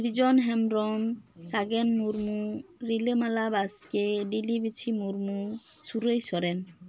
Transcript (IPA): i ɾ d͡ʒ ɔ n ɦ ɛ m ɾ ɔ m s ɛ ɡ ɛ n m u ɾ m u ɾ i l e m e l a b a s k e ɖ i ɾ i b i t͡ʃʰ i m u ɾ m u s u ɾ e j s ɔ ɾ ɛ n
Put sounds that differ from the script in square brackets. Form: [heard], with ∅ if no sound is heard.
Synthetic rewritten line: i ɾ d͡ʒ ɔ n ɦ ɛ m ɾ ɔ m s [a] ɡ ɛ n m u ɾ m u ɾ i l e m [a] l a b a s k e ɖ i [l] i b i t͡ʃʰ i m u ɾ m u s u ɾ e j s ɔ ɾ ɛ n